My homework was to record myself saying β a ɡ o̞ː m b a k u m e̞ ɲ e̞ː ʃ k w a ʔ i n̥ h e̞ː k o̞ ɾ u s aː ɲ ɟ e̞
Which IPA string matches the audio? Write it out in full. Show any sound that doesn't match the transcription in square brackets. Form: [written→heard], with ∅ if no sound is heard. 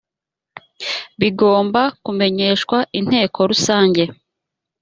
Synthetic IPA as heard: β [a→i] ɡ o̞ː m b a k u m e̞ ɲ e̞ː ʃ k w a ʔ i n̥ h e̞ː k o̞ ɾ u s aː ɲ ɟ e̞